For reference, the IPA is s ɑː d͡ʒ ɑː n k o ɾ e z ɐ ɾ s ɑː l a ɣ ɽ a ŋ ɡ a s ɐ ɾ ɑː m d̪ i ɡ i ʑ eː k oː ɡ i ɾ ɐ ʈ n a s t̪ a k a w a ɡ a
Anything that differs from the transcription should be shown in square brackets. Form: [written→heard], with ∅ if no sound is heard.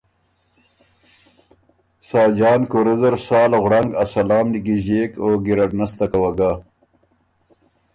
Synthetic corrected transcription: s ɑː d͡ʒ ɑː n k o ɾ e z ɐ ɾ s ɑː l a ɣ ɽ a ŋ ɡ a s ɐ [ɾ→l] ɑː m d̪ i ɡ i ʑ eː k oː ɡ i ɾ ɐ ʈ n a s t̪ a k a w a ɡ a